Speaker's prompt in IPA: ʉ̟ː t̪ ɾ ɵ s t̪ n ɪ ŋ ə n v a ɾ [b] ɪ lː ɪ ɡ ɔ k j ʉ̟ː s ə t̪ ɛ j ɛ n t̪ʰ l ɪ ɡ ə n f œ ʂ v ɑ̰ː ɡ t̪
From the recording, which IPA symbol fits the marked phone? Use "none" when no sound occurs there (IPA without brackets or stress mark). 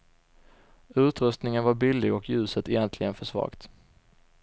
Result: b